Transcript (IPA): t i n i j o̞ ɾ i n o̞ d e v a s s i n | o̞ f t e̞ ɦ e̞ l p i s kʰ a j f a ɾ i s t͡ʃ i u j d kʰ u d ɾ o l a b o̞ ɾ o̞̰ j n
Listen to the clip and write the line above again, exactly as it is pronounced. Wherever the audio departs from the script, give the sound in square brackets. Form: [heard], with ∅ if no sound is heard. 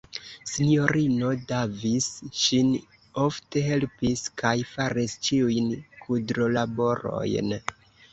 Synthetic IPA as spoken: [s] i n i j o̞ ɾ i n o̞ d [a] v [i] s [ʃ] i n | o̞ f t e̞ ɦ e̞ l p i s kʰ a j f a ɾ i s t͡ʃ i u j [n] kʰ u d ɾ o l a b o̞ ɾ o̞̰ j n